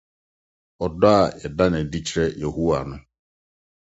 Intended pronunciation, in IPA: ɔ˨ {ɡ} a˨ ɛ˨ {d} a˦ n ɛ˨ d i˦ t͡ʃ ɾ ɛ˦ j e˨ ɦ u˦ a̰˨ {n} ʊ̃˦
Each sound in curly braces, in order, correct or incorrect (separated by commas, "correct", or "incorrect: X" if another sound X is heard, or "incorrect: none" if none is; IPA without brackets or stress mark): incorrect: d, correct, correct